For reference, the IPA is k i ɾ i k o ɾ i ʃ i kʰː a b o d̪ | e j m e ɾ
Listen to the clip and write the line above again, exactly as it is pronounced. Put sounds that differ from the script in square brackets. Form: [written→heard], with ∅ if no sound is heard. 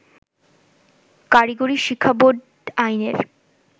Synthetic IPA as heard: k [i→a] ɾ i [k→ɡ] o ɾ i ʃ i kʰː a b o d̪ | [e→a] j [m→n] e ɾ